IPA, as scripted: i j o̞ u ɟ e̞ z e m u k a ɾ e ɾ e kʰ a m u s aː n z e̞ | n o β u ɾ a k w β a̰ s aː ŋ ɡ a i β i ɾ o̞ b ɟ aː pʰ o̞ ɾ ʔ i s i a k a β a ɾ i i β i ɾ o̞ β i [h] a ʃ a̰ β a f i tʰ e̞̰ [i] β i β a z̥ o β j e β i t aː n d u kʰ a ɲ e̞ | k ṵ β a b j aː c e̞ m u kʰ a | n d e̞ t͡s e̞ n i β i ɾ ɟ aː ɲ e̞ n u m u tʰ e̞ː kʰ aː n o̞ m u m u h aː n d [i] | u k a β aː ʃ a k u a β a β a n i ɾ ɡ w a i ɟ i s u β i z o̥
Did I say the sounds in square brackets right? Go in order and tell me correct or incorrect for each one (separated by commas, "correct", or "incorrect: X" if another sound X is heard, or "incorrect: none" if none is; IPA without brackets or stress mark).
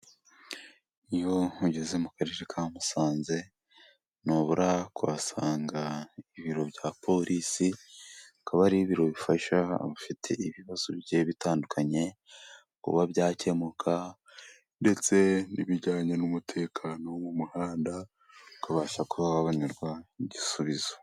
incorrect: f, correct, incorrect: a